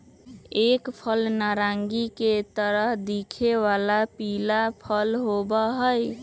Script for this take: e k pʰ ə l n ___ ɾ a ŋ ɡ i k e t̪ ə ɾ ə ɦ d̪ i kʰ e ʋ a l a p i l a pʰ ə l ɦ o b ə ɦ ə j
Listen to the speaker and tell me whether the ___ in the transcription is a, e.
a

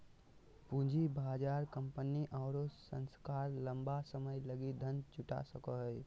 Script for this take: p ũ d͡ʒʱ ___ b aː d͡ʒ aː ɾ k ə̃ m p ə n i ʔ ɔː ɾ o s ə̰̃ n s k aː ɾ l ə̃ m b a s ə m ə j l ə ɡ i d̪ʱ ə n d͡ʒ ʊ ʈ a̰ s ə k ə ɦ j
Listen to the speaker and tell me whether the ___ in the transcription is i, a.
i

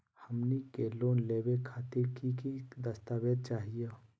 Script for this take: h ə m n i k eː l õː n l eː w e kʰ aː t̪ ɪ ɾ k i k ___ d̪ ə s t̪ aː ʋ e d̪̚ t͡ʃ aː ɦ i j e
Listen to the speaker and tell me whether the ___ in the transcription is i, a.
i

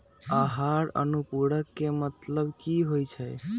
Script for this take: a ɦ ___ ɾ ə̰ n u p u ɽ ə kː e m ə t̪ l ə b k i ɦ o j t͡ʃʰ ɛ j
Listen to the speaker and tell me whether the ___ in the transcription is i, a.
a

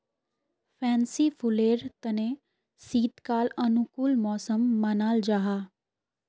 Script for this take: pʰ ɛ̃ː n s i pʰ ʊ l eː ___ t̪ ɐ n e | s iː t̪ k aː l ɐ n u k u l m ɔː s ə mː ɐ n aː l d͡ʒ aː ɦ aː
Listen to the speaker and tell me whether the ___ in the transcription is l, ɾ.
ɾ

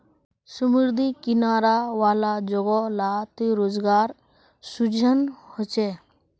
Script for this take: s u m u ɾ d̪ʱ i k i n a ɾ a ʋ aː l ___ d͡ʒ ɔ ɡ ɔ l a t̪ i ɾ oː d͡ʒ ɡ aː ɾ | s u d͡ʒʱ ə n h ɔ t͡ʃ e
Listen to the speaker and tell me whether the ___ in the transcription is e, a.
a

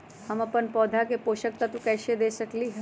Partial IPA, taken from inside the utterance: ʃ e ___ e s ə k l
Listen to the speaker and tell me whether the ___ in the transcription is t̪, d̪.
d̪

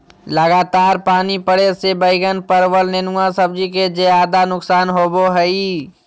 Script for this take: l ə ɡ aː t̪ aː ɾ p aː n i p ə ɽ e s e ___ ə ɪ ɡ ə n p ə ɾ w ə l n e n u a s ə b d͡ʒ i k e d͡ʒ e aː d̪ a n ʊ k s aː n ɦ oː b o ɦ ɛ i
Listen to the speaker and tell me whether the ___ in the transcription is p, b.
b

